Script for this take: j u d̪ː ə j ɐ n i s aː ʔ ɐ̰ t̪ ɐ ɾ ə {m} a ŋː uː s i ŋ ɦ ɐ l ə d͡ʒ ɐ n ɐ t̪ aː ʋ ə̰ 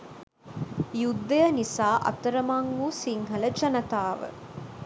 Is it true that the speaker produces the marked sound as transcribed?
yes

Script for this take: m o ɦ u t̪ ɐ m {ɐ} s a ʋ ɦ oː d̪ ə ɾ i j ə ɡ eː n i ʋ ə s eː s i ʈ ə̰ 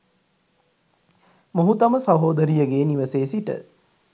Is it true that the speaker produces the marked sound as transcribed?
no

